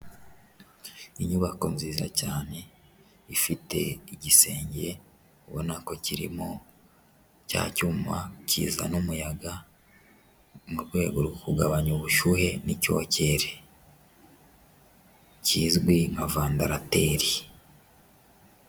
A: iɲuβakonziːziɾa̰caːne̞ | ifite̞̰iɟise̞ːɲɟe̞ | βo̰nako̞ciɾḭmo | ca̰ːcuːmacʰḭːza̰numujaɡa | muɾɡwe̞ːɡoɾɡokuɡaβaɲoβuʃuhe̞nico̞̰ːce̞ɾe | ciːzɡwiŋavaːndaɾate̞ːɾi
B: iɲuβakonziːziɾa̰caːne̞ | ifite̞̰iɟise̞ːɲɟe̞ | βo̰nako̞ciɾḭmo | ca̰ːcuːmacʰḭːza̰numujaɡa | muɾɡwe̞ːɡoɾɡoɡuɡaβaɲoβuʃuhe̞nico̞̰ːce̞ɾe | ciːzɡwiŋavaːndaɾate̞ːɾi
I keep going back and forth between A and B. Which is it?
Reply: A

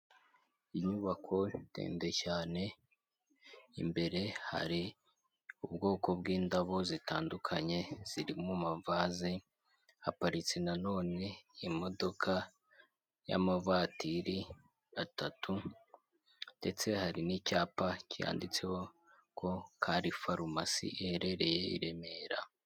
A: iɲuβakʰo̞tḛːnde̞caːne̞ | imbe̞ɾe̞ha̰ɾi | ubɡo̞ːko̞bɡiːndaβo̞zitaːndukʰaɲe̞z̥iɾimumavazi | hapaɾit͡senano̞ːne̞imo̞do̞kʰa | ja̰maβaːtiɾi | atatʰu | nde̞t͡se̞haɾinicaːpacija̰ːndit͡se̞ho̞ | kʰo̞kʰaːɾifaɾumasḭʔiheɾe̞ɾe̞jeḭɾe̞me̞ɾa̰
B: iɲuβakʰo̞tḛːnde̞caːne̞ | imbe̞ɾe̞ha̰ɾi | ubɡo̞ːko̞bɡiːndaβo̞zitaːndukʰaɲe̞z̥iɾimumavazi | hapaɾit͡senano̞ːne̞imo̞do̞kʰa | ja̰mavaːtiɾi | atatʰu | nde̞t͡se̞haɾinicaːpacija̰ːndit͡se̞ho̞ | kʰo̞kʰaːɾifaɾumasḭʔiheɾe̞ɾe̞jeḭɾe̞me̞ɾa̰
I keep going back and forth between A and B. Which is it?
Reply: B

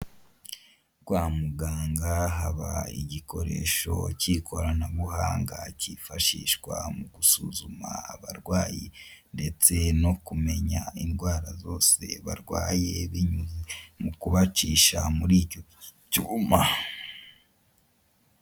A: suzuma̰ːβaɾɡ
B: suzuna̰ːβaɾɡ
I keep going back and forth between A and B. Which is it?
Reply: A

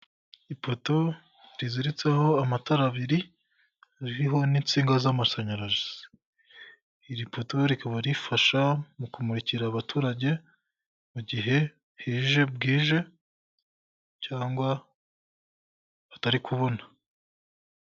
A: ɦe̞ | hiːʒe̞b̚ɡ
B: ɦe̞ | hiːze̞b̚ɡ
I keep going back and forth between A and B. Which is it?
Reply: A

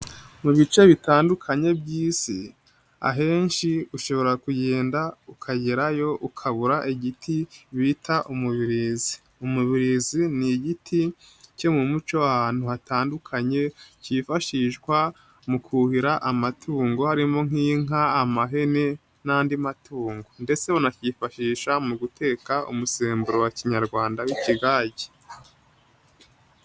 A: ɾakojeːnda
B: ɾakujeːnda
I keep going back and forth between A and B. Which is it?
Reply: B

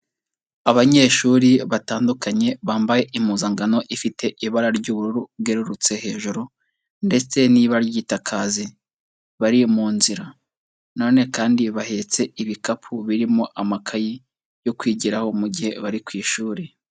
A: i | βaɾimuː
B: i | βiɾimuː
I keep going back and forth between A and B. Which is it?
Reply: A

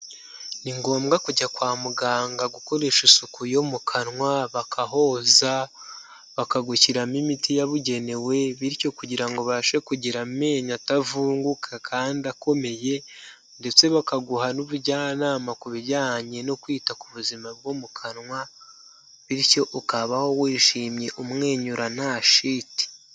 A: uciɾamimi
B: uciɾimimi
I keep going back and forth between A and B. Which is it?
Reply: A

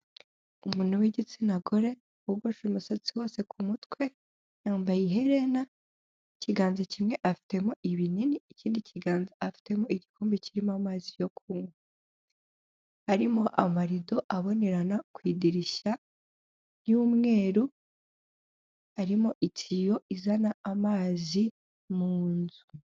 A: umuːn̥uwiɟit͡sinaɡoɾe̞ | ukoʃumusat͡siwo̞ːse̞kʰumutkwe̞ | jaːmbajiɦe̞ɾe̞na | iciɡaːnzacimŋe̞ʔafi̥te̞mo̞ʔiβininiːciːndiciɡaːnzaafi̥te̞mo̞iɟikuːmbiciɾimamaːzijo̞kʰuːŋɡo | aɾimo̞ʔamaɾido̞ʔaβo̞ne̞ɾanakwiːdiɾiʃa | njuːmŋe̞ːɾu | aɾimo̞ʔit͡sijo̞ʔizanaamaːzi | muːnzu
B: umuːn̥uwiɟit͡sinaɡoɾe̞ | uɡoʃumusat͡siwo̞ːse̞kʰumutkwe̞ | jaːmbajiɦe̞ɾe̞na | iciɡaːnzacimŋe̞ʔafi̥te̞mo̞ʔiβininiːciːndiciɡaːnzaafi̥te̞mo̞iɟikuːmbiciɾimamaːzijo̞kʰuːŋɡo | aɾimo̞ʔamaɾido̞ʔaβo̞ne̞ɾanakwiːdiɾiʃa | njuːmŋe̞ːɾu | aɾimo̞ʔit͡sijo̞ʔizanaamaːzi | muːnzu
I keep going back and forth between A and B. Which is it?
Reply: B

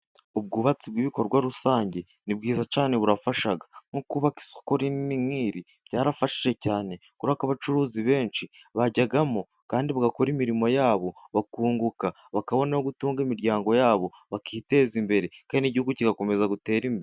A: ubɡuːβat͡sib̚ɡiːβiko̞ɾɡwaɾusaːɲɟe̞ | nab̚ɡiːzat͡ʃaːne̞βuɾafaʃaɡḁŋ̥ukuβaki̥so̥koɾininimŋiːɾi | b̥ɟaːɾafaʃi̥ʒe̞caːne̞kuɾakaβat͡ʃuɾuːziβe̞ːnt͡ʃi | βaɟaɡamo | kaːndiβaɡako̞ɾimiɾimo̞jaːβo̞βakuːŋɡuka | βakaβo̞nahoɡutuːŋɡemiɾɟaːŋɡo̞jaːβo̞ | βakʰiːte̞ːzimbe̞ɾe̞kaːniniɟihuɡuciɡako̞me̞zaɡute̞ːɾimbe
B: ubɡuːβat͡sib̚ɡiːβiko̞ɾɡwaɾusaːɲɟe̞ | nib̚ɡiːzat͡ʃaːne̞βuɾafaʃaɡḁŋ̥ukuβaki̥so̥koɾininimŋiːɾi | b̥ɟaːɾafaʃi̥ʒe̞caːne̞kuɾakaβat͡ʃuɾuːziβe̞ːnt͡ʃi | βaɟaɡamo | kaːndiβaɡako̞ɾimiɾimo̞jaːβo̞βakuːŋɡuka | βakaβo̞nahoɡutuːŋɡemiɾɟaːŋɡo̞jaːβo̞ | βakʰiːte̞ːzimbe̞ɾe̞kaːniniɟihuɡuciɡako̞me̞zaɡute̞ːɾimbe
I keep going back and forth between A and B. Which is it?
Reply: B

